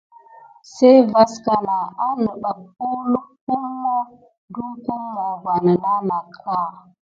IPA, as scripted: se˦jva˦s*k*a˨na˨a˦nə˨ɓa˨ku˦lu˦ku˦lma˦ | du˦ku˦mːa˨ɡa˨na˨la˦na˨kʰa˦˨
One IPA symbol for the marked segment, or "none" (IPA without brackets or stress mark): k